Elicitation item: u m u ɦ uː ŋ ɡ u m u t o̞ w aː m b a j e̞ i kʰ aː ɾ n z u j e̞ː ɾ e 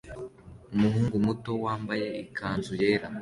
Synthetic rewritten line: u m u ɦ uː ŋ ɡ u m u t o̞ w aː m b a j e̞ i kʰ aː n z u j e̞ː ɾ a